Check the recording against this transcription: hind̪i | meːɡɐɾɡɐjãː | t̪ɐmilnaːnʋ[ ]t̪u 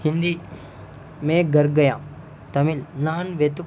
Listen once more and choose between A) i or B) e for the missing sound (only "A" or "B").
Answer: B